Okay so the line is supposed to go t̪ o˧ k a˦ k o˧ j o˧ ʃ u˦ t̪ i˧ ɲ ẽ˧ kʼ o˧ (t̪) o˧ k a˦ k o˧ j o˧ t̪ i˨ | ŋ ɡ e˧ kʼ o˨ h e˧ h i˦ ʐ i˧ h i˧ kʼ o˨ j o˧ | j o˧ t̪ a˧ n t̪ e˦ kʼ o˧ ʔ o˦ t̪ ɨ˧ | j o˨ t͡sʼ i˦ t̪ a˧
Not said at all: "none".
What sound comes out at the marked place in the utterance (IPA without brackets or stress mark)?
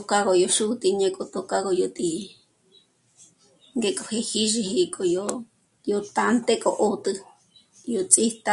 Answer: t̪